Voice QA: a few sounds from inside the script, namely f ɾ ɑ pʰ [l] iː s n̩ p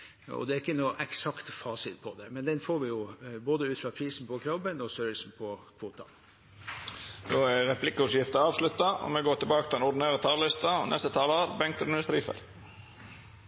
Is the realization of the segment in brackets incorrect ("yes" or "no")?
yes